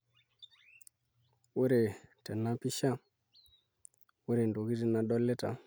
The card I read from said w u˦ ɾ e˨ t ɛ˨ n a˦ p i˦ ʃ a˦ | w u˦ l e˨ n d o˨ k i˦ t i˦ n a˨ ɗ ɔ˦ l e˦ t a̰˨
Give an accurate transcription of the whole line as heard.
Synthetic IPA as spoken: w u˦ ɾ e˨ t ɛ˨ n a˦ p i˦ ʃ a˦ | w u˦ ɾ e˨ n d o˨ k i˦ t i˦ n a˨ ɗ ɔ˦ l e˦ t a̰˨